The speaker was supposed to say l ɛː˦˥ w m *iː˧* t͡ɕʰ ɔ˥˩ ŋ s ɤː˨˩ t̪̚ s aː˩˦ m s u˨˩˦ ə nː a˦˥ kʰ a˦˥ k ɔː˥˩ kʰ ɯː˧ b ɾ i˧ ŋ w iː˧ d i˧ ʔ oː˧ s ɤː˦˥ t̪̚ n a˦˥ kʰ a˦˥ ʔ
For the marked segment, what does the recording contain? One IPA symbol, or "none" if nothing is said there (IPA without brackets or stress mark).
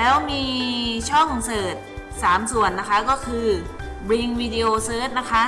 iː˧